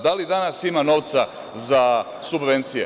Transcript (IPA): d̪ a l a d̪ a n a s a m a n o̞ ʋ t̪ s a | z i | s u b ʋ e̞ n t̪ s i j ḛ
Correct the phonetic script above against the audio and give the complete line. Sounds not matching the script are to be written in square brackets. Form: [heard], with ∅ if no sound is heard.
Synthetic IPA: d̪ a l [i] d̪ a n a s [i] m a n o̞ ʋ t̪ s a | z [a] | s u b ʋ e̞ n t̪ s i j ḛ